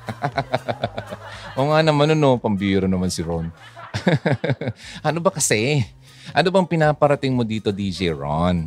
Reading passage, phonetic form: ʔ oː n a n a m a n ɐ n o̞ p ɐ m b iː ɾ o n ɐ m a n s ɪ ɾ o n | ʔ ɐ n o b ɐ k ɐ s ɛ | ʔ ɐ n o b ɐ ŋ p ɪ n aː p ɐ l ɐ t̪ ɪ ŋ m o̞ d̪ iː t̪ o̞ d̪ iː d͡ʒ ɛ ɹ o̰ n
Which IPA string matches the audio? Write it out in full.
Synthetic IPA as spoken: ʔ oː ŋ a n ɐ m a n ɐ n o̞ p ɐ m b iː ɾ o n ɐ m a n s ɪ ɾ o n | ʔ ɐ n o b ɐ k ɐ s ɛ | ʔ ɐ n o b ɐ ŋ p ɪ n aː p ɐ ɾ ɐ t̪ ɪ ŋ m o̞ d̪ iː t̪ o̞ d̪ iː d͡ʒ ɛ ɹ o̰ n